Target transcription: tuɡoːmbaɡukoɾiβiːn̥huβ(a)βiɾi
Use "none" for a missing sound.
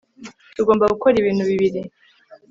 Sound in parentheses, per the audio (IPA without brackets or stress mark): i